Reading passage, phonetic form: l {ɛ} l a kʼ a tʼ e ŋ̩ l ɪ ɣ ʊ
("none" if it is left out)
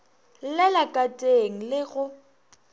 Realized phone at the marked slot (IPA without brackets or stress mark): ɛ